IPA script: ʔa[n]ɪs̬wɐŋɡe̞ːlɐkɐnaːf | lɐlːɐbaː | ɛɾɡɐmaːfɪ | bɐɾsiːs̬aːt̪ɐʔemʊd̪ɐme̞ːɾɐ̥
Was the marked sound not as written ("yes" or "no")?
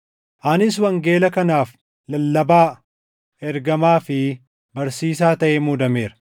no